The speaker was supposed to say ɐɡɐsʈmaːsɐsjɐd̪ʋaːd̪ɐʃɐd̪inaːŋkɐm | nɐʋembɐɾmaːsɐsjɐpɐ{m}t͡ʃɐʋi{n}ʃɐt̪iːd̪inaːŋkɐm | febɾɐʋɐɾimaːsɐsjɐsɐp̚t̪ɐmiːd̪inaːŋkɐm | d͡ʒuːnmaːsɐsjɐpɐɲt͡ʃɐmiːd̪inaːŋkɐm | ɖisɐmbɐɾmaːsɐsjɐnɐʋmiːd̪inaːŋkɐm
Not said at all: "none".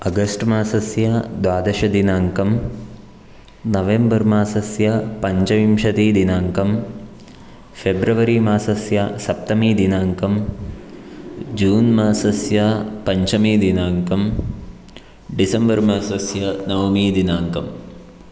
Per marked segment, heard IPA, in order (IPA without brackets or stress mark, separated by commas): ɲ, m